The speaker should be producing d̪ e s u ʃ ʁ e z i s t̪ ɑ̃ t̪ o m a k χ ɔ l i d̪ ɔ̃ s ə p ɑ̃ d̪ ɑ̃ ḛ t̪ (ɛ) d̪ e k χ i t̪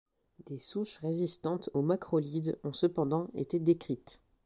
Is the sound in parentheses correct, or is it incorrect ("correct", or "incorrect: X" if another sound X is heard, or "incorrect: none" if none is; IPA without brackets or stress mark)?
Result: incorrect: e